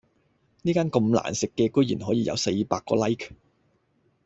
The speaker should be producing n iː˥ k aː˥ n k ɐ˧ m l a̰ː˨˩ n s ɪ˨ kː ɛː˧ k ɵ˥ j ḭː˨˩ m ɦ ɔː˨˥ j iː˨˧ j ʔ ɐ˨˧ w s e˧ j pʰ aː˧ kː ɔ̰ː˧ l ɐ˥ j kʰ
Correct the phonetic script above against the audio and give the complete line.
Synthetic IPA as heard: n iː˥ k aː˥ n k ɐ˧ m l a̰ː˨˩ n s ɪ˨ kː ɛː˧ k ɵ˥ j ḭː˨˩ n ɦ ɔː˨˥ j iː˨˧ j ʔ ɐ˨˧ w s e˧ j p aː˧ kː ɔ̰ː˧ l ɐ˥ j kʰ